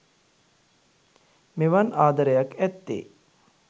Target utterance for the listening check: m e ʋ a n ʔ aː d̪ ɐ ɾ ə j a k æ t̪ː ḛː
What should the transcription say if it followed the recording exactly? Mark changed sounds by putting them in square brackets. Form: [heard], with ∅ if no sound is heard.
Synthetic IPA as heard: m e ʋ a n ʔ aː d̪ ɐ ɾ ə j a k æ t̪ː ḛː